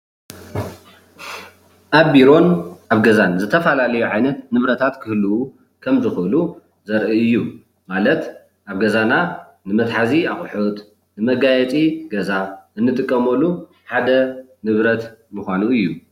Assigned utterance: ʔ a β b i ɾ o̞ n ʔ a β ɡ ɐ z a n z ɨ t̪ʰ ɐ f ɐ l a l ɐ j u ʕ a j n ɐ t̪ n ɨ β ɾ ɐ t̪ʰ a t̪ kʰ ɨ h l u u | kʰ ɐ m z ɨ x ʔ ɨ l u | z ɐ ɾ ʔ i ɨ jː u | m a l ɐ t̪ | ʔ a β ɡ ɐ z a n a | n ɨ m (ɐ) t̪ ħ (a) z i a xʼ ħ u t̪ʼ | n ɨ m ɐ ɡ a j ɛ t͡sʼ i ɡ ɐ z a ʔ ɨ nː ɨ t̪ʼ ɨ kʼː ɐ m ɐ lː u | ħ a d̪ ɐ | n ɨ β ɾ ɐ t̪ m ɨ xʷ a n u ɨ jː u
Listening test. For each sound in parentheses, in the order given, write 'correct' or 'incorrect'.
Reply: correct, correct

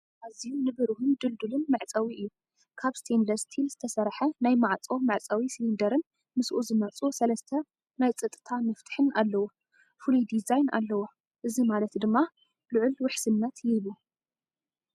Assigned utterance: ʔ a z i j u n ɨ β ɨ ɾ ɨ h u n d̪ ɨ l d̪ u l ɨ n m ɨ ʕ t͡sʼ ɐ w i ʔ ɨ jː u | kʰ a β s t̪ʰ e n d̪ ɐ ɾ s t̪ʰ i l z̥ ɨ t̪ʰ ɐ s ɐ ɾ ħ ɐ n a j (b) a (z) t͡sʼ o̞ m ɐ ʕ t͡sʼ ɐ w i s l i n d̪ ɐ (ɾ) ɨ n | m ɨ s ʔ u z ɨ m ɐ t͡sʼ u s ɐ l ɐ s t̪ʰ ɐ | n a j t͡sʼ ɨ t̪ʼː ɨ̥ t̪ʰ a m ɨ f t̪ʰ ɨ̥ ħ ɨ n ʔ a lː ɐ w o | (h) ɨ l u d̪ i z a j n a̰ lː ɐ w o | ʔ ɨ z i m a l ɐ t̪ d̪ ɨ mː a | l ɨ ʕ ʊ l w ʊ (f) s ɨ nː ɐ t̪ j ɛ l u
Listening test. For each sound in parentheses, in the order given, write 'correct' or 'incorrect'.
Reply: incorrect: m, incorrect: ʕ, correct, incorrect: f, incorrect: ħ

